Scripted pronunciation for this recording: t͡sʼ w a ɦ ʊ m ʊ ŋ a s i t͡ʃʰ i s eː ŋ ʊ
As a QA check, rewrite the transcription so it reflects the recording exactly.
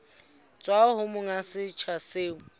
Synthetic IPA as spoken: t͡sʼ w a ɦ ʊ m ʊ ŋ a s ɪ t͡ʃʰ a s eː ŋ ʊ